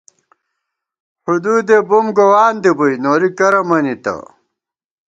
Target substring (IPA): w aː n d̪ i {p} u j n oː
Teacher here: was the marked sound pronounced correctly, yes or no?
no